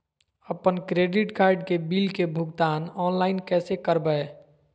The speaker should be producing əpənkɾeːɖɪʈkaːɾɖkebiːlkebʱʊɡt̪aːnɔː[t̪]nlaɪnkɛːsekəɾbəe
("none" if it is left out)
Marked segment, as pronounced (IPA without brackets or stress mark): none